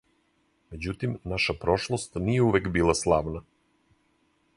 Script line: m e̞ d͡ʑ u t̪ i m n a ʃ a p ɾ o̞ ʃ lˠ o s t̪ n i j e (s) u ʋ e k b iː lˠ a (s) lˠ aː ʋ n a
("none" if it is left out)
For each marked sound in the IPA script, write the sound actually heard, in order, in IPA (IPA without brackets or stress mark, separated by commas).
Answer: none, s